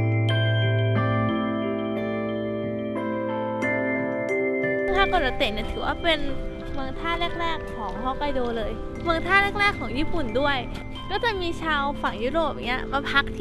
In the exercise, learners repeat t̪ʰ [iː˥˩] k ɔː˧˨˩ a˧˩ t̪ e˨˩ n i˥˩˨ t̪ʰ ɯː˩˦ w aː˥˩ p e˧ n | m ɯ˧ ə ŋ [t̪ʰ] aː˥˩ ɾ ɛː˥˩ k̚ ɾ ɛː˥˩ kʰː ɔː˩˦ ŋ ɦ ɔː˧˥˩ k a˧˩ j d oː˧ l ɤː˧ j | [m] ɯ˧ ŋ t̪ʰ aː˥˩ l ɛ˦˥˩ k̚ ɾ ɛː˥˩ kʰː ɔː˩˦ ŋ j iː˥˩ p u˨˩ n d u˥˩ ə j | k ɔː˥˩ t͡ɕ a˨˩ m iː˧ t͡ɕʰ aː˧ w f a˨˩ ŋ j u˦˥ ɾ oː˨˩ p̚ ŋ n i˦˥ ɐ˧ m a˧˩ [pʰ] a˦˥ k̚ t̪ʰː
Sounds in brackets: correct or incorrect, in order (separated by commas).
incorrect, correct, correct, correct